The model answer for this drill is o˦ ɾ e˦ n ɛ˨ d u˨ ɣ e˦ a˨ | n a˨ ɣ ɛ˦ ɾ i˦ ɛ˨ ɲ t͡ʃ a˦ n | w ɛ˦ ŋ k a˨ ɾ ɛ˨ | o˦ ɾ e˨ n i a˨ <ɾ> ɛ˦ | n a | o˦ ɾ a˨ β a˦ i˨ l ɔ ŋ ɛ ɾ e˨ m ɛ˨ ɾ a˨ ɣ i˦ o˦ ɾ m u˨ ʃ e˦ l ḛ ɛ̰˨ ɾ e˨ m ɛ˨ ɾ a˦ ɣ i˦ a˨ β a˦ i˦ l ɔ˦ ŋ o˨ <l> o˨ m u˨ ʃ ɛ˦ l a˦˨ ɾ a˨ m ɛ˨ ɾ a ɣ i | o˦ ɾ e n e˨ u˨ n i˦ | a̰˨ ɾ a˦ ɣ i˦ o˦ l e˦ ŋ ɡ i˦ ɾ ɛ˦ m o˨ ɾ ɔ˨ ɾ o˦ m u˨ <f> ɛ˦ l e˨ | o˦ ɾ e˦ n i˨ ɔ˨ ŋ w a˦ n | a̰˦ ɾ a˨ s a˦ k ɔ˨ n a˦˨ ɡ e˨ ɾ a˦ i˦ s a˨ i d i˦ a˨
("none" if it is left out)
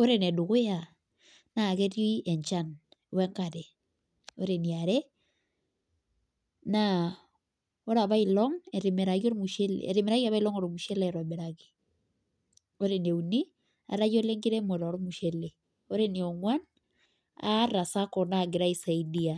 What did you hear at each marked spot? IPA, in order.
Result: ɾ, ɾ, ʃ

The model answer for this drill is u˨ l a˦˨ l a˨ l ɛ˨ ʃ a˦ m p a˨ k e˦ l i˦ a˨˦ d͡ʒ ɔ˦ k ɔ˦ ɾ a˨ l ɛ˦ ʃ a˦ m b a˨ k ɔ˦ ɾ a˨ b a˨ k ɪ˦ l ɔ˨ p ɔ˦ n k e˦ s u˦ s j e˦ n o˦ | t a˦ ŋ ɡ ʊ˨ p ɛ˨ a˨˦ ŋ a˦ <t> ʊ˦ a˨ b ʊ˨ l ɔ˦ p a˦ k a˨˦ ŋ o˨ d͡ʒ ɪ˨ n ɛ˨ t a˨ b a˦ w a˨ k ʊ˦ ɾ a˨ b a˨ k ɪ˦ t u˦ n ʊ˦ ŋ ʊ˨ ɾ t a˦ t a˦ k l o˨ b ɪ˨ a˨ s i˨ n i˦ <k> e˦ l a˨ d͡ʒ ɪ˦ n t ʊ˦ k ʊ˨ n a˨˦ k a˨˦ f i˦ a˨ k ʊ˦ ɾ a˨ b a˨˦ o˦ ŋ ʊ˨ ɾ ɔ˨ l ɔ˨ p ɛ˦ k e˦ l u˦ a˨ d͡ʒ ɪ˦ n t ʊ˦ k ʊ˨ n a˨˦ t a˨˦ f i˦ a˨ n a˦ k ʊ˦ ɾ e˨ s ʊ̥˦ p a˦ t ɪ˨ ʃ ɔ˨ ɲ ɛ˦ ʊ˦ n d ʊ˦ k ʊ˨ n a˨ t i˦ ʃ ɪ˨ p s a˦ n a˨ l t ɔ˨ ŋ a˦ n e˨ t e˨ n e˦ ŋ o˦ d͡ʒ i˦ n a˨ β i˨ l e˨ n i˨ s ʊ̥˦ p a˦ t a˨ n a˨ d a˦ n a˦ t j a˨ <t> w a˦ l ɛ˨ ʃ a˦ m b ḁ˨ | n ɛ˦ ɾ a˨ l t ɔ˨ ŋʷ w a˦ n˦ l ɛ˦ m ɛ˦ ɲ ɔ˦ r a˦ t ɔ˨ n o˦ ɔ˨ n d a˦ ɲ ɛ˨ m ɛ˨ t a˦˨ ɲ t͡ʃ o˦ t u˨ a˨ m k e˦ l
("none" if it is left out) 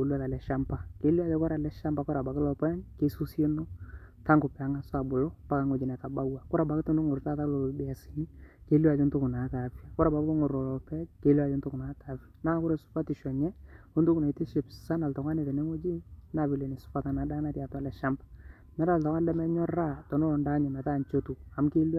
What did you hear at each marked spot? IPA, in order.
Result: s, k, t

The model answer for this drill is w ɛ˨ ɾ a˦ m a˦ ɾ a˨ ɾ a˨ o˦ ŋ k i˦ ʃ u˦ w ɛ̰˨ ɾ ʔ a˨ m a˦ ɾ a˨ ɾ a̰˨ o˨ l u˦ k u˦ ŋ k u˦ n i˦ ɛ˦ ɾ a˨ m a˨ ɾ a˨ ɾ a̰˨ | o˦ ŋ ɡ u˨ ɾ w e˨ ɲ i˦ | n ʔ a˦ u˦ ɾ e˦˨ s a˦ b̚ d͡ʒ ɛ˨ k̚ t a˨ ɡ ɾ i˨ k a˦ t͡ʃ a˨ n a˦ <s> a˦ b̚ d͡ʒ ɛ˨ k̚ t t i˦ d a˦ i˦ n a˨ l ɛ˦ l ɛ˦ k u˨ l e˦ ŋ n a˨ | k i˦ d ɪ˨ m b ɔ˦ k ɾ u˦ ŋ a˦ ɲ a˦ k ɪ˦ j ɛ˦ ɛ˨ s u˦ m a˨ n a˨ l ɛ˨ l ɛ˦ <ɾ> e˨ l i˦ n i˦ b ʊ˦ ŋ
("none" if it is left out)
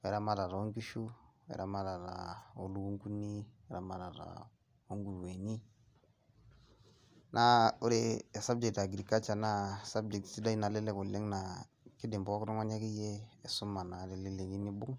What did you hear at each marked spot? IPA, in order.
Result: s, l

